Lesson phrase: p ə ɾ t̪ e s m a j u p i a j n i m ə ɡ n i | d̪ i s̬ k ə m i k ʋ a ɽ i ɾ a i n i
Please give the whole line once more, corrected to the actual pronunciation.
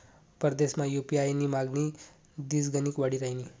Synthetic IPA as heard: p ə ɾ d̪ e s m a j u p i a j n i m a ɡ n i | d̪ i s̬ ɡ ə n i k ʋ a ɽ i ɾ a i n i